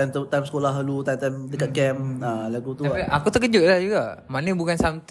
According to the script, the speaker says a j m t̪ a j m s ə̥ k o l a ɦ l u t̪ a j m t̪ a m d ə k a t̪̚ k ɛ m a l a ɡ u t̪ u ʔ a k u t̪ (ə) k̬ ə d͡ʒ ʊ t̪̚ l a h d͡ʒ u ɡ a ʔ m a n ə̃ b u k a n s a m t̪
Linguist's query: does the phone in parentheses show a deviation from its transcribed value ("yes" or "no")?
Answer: no